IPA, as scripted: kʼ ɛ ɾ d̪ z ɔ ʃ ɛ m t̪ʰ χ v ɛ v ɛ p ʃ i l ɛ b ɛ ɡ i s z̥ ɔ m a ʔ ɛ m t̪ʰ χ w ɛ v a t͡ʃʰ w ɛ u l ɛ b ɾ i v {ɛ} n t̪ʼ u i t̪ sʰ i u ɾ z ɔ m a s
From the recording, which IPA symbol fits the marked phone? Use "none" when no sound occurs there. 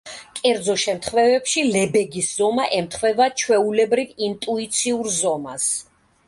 i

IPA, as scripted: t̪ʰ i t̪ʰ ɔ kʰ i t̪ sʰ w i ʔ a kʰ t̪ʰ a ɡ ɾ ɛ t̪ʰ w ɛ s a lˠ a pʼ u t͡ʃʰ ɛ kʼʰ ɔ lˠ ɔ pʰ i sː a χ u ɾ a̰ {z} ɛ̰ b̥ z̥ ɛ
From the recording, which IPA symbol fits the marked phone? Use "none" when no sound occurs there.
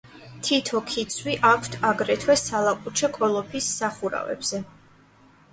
v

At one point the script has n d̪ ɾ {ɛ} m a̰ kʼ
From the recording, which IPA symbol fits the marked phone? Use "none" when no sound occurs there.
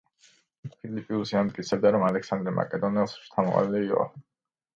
ɛ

